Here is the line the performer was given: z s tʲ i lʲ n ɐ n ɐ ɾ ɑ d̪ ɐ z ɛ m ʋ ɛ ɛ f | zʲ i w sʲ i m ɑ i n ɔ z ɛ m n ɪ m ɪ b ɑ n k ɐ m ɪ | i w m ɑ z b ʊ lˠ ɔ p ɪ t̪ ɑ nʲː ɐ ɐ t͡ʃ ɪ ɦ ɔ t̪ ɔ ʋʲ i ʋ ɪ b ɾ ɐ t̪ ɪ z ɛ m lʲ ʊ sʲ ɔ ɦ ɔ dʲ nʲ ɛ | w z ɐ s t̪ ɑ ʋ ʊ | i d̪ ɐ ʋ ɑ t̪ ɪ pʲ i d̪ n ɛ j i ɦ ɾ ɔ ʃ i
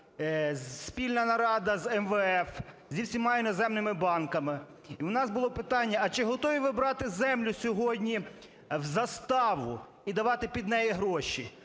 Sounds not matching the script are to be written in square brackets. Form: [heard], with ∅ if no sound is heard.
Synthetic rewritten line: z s [pʲ] i lʲ n ɐ n ɐ ɾ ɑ d̪ ɐ z ɛ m ʋ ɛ ɛ f | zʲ i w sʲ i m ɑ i n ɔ z ɛ m n ɪ m ɪ b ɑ n k ɐ m ɪ | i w [n] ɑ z b ʊ lˠ ɔ p ɪ t̪ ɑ nʲː ɐ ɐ t͡ʃ ɪ ɦ ɔ t̪ ɔ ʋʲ i ʋ ɪ b ɾ [ɑ] t̪ ɪ z ɛ m lʲ ʊ sʲ ɔ ɦ ɔ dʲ nʲ [i] | w z ɐ s t̪ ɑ ʋ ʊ | i d̪ ɐ ʋ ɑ t̪ ɪ pʲ i d̪ n ɛ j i ɦ ɾ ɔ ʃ i